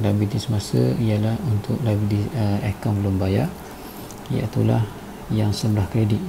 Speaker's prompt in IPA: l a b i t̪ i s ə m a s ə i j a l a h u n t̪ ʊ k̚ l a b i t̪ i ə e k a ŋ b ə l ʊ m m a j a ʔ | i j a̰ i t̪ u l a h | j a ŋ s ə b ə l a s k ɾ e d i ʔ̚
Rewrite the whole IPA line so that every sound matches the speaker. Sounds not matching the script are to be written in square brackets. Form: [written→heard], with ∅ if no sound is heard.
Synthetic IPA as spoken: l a b i t̪ i s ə m a s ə i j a l a h u n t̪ ʊ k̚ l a b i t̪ i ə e k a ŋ b ə l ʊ m [m→b] a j a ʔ | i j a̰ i t̪ u l a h | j a ŋ s ə b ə l a [s→h] k ɾ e d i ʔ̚

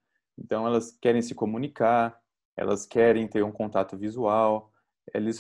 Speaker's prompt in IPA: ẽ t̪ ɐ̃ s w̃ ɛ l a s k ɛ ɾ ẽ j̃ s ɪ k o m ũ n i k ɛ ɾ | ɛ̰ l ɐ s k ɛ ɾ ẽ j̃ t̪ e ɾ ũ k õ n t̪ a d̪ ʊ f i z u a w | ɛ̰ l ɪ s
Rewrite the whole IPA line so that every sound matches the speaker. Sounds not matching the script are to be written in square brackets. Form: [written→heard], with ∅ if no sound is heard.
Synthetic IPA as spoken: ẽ t̪ ɐ̃ [s→∅] w̃ ɛ l [a→ɐ] s k ɛ ɾ ẽ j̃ s ɪ k o m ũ n i k [ɛ→a] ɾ | ɛ̰ l ɐ s k ɛ ɾ ẽ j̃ t̪ e ɾ ũ k õ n t̪ a [d̪→t̪] ʊ [f→v] i z u a w | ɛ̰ l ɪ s

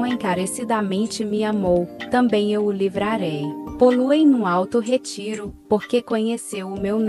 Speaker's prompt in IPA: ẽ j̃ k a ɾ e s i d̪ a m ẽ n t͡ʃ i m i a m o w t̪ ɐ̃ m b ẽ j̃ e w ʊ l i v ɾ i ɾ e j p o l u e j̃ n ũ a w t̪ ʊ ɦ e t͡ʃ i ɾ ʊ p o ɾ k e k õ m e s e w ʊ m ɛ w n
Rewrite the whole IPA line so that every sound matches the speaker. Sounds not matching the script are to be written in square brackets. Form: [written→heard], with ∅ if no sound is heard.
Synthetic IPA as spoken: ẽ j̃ k a ɾ e s i d̪ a m ẽ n t͡ʃ [i→ɪ] m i a m o w t̪ ɐ̃ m b ẽ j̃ e w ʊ l i v ɾ [i→a] ɾ e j p o l u e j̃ n ũ a w t̪ ʊ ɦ e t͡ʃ i ɾ ʊ p o ɾ k e k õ [m→ɲ] e s e w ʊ m [ɛ→e] w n

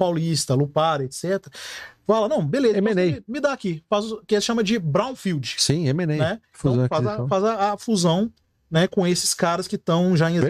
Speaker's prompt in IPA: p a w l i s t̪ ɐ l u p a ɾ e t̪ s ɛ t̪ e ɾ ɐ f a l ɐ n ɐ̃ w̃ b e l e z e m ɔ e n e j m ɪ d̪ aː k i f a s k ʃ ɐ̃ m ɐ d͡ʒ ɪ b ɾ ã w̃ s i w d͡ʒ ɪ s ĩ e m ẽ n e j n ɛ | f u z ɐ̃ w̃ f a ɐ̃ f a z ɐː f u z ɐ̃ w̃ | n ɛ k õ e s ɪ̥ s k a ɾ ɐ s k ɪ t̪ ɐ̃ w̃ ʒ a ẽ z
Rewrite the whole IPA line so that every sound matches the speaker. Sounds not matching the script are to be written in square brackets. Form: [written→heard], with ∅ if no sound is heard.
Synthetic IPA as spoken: p a w l i s t̪ ɐ l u p a ɾ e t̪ s ɛ t̪ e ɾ ɐ f a l ɐ n ɐ̃ w̃ b e l e z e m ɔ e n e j m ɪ d̪ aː k i f a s k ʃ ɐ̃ m ɐ d͡ʒ ɪ b ɾ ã w̃ [s→f] i w d͡ʒ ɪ s ĩ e m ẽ n e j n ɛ | f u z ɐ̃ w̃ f a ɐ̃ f a z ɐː f u z ɐ̃ w̃ | n ɛ k õ e s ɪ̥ s k a ɾ ɐ s k ɪ t̪ ɐ̃ w̃ ʒ a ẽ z

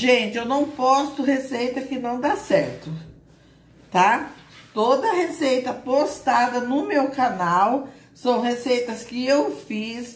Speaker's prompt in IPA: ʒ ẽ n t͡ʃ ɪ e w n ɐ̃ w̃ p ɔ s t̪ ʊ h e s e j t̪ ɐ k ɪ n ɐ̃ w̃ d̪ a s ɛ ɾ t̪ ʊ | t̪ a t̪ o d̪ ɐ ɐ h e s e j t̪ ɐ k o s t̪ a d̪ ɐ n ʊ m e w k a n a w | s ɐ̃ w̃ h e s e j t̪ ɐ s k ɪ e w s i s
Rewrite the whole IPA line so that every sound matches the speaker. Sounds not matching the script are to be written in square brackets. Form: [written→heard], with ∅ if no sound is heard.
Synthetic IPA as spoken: ʒ ẽ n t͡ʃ ɪ e w n ɐ̃ w̃ p ɔ s t̪ ʊ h e s e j t̪ ɐ k ɪ n ɐ̃ w̃ d̪ a s ɛ ɾ t̪ ʊ | t̪ a t̪ o d̪ ɐ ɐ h e s e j t̪ ɐ [k→p] o s t̪ a d̪ ɐ n ʊ m e w k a n a w | s ɐ̃ w̃ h e s e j t̪ ɐ s k ɪ e w [s→f] i s

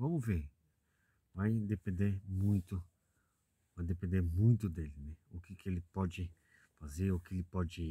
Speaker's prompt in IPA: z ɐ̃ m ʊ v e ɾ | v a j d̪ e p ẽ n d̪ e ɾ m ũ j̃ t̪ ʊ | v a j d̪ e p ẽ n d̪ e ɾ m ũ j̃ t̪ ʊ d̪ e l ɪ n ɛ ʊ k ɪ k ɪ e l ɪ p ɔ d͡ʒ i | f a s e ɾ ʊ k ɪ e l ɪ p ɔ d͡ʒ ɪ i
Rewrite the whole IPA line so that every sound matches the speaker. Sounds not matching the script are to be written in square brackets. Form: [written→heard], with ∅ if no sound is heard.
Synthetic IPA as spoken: [z→v] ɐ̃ m ʊ v e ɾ | v a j d̪ e p ẽ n d̪ e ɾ m ũ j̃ t̪ ʊ | v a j d̪ e p ẽ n d̪ e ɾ m ũ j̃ t̪ ʊ d̪ e l ɪ n ɛ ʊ k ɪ k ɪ e l ɪ p ɔ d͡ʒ [i→ɪ] | f a [s→z] e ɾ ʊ k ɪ e l ɪ p ɔ d͡ʒ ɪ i

